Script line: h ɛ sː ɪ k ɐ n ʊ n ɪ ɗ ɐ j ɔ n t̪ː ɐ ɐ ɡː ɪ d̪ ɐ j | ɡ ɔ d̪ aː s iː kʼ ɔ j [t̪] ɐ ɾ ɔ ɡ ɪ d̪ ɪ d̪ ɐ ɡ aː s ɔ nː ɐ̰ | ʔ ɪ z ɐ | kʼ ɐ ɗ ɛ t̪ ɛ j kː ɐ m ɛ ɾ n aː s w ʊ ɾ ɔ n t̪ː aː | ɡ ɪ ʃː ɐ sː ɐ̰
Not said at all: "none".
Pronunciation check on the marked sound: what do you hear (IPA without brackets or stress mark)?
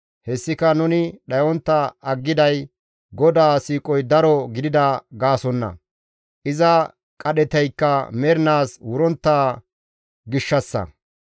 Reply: d̪